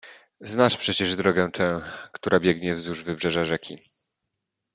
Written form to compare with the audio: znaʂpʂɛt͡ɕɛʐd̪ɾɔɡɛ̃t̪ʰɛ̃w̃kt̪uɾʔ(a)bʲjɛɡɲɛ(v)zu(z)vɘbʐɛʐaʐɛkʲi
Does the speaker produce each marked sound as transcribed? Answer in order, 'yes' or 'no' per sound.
yes, yes, no

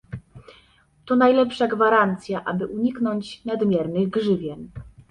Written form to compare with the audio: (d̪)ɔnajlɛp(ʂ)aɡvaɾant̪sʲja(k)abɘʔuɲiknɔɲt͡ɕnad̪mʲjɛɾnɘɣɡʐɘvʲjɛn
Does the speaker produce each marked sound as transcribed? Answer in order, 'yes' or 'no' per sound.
no, yes, no

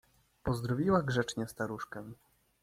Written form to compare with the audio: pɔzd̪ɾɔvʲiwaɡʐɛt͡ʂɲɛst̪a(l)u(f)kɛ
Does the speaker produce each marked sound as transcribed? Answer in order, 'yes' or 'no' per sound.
no, no

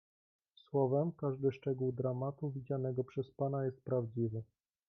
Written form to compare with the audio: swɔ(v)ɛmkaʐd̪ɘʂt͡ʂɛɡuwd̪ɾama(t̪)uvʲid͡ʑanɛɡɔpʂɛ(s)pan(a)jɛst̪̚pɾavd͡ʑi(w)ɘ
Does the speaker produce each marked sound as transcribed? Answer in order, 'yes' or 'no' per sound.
yes, yes, yes, yes, no

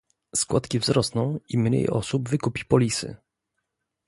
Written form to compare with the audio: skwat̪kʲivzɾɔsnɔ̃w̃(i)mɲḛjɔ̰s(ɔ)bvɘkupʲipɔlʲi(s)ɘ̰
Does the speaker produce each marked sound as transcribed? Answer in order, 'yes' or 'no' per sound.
yes, no, yes

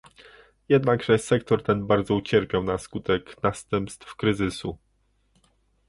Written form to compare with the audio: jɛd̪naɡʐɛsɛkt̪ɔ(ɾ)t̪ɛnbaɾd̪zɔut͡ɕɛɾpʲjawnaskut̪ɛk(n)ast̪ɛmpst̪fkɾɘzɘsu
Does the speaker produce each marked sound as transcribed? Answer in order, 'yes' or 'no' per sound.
yes, yes

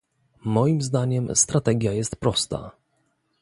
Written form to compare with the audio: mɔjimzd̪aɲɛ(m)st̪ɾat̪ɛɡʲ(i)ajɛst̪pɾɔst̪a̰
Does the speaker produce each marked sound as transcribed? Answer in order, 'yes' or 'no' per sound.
yes, no

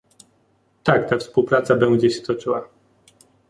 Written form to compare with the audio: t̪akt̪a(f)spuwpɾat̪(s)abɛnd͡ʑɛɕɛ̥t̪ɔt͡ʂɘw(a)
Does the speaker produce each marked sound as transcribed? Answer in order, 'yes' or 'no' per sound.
yes, yes, yes

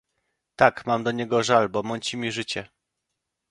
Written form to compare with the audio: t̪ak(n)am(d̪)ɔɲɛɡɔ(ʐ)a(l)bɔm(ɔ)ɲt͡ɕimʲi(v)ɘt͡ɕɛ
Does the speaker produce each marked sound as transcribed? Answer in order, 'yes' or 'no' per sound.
no, yes, yes, yes, yes, no

